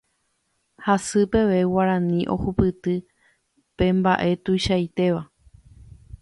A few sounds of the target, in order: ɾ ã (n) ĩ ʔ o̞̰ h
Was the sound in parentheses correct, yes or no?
yes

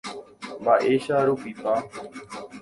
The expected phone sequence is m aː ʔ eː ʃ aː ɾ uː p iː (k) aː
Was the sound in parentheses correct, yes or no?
no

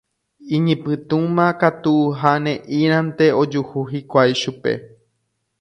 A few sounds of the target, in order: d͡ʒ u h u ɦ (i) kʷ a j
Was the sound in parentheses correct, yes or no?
yes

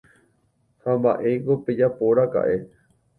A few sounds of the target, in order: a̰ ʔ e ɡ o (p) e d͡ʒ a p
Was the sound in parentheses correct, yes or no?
yes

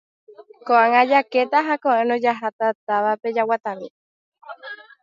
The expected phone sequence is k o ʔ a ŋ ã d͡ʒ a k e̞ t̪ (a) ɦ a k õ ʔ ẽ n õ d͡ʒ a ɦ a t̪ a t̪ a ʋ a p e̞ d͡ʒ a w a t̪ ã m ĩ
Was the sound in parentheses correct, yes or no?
yes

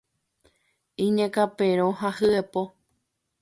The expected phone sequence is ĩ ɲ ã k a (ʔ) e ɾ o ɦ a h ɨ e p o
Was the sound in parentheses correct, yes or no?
no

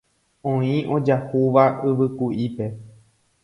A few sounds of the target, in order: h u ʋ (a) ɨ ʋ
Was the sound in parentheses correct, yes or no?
yes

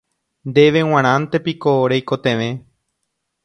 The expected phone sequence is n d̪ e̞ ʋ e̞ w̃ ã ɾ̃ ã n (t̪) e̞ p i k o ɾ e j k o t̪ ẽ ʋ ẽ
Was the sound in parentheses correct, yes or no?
yes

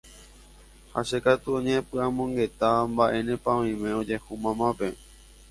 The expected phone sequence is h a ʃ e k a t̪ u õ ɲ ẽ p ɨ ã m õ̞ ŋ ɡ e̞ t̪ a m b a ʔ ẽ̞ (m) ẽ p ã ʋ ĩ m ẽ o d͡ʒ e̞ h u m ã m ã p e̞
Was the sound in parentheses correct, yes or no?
no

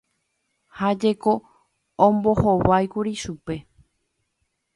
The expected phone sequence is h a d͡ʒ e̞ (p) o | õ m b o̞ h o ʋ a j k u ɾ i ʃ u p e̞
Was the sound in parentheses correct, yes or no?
no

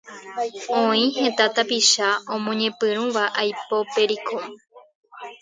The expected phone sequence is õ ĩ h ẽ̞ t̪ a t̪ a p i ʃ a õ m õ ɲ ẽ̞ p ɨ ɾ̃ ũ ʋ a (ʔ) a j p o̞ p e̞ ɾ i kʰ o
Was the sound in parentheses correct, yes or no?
yes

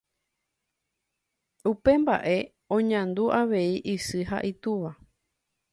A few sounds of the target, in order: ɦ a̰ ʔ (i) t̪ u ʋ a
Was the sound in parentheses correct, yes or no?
yes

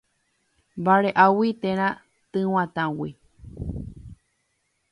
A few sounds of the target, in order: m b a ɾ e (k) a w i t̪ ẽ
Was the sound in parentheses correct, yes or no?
no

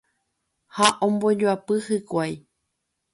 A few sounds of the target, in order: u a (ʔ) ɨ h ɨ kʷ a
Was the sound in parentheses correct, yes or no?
no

